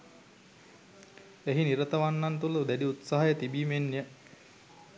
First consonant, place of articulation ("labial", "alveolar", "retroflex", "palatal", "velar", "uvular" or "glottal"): glottal